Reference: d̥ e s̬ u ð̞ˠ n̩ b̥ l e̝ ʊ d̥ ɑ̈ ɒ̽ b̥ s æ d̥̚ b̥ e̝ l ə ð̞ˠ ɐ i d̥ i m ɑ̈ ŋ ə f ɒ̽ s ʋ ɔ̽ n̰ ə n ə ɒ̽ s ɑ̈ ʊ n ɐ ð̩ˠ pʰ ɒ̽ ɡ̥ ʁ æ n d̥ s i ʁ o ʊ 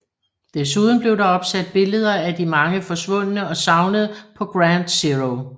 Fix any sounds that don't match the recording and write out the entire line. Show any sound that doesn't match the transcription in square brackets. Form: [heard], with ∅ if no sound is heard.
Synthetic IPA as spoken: d̥ e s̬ u ð̞ˠ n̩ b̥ l e̝ ʊ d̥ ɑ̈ ɒ̽ b̥ s æ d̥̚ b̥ e̝ l ə ð̞ˠ ɐ [æ] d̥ i m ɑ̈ ŋ ə f ɒ̽ s ʋ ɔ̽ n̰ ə n ə ɒ̽ s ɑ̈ ʊ n [ə] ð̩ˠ pʰ ɒ̽ ɡ̥ ʁ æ n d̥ s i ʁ o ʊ